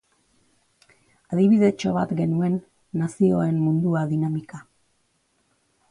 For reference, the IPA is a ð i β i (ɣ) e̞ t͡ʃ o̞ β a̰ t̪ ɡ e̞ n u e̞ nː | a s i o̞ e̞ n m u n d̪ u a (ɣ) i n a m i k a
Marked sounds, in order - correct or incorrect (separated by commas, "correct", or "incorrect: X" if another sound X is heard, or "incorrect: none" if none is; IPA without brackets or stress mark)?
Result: incorrect: ð, incorrect: ð